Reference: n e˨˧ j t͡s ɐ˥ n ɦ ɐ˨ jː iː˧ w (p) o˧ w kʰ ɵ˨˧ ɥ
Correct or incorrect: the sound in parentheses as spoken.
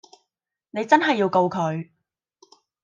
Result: incorrect: k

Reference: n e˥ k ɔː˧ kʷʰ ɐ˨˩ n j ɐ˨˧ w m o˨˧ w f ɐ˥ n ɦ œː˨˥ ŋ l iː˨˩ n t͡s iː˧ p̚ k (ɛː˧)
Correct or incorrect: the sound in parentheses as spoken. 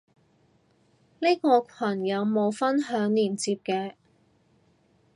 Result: correct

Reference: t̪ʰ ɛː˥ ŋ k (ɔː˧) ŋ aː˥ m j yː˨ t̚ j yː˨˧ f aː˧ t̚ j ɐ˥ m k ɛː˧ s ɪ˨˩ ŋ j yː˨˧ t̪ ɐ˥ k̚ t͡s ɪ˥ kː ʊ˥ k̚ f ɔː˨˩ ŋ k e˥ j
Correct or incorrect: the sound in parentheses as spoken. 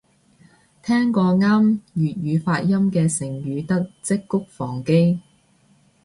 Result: correct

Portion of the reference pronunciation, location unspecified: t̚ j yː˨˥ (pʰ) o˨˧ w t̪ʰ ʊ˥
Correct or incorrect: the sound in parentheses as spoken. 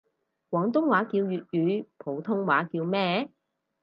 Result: correct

